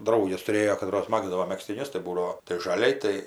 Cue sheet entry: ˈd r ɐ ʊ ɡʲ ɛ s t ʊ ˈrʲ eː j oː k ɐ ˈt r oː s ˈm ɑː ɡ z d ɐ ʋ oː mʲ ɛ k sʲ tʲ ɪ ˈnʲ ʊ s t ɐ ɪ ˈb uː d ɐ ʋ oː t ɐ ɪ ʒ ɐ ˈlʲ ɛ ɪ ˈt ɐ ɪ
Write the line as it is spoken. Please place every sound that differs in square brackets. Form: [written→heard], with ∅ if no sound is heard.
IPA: ˈd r ɐ ʊ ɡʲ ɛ s t ʊ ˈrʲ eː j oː k ɐ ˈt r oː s ˈm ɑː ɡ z d ɐ ʋ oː mʲ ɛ k sʲ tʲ ɪ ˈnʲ ʊ s t ɐ ɪ ˈb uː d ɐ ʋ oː t ɐ ɪ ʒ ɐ ˈlʲ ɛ ɪ ˈt ɐ ɪ